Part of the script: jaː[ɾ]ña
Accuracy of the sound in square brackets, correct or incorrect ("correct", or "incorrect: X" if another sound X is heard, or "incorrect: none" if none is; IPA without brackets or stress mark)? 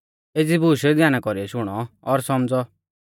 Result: incorrect: none